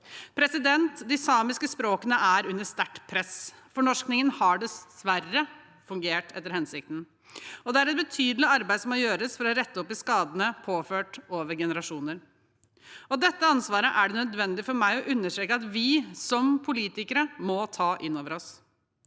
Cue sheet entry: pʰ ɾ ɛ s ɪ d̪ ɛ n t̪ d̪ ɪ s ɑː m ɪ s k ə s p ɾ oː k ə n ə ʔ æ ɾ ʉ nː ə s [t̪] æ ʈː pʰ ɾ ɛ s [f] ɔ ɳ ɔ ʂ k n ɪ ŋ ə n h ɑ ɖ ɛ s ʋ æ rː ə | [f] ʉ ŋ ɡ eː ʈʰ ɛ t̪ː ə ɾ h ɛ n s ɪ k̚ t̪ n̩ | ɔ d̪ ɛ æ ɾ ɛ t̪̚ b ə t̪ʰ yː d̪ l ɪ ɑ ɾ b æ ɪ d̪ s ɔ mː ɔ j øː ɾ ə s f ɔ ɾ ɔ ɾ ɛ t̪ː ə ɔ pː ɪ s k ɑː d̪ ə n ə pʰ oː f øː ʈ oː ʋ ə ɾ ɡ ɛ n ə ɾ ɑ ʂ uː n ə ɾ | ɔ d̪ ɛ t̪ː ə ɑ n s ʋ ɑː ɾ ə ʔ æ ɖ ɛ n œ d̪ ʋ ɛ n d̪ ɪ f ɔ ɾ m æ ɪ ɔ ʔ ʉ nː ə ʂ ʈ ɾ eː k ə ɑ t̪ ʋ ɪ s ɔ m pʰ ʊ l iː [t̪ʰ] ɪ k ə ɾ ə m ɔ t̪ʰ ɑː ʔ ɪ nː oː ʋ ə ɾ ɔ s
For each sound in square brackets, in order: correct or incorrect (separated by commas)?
correct, correct, correct, incorrect